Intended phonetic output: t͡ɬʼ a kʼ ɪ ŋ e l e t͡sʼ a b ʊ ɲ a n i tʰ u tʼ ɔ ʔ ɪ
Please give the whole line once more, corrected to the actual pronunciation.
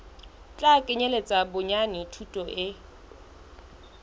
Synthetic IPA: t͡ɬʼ a kʼ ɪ ɲ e l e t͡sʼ a b ʊ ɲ a n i tʰ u tʼ ɔ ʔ ɪ